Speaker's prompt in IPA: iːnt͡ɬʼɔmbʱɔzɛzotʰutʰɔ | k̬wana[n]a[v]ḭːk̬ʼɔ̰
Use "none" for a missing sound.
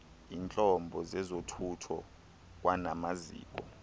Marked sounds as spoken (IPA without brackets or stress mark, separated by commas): m, z